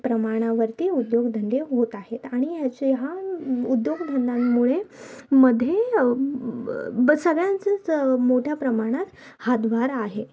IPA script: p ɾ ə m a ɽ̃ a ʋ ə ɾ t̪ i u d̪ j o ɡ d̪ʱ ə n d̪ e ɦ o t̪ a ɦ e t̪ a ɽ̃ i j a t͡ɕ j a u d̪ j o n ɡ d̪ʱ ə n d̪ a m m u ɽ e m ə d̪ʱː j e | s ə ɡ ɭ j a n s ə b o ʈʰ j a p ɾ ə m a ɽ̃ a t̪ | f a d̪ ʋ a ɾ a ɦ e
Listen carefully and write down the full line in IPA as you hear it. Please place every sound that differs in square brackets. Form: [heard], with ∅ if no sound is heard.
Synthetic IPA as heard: p ɾ ə m a ɽ̃ a ʋ ə ɾ t̪ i u d̪ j o ɡ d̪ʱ ə n d̪ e ɦ o t̪ a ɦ e t̪ a ɽ̃ i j a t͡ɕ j a u d̪ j o [∅] ɡ d̪ʱ ə n d̪ a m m u [ɭ] e m ə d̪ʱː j e | s ə ɡ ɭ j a n [t͡s] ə [m] o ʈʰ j a p ɾ ə m a ɽ̃ a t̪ | [h] a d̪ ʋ a ɾ a ɦ e